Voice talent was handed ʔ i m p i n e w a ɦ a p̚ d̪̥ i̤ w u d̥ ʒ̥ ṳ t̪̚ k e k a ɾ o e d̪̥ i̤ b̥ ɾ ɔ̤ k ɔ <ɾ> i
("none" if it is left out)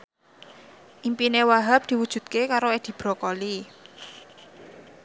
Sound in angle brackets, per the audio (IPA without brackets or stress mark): l